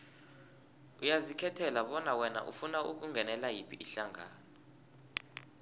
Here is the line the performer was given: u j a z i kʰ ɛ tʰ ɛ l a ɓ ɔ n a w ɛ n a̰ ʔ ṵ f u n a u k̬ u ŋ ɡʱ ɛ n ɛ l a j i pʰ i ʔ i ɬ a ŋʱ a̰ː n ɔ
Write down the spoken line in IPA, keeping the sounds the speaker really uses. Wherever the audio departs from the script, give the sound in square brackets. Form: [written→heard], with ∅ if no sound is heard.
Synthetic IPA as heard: u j a z i kʰ ɛ tʰ ɛ l a ɓ ɔ n a w ɛ n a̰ ʔ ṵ f u n a u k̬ u ŋ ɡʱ ɛ n ɛ l a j i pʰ i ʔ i ɬ a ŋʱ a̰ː n ɔ